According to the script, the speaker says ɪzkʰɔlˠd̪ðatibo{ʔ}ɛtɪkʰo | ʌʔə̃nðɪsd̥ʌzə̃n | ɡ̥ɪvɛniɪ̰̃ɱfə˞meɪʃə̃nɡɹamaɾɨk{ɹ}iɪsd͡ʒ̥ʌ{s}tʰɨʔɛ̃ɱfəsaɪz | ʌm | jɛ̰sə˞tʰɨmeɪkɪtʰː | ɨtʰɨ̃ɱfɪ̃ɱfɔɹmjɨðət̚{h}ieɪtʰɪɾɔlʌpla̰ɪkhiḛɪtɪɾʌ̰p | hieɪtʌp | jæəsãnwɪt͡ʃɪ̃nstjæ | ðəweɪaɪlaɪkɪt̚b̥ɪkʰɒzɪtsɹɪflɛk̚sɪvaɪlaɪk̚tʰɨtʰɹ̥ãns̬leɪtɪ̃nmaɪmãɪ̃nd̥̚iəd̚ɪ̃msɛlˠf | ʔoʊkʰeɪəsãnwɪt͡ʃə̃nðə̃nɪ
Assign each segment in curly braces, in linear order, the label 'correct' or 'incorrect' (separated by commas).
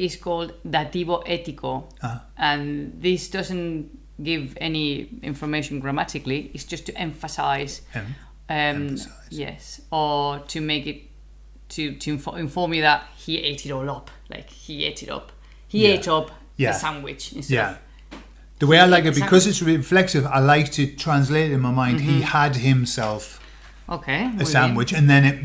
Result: correct, incorrect, correct, correct